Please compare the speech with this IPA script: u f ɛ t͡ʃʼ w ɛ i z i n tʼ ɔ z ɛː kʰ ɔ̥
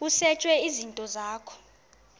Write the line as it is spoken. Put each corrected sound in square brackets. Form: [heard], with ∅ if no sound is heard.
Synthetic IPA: u [s] ɛ t͡ʃʼ w ɛ i z i n tʼ ɔ z [aː] kʰ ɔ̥